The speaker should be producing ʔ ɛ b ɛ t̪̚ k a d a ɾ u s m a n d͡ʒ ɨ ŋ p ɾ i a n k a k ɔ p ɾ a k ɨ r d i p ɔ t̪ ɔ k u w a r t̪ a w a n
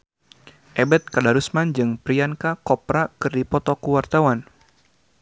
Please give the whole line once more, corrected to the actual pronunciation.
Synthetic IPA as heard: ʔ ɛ b ɛ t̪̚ k a d a ɾ u s m a n d͡ʒ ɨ ŋ p ɾ i a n k a k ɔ p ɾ a k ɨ r d i p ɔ t̪ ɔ k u w a r t̪ a w a n